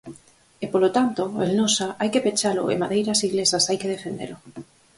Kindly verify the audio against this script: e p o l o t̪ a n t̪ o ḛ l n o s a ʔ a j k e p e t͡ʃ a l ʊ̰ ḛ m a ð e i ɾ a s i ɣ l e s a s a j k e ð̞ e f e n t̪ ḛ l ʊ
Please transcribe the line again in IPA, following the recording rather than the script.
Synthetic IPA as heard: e p o l o t̪ a n t̪ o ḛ l n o s a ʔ a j k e p e t͡ʃ a l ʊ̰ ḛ m a ð e j ɾ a s i ɣ l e s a s a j k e ð̞ e f e n d̪ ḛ l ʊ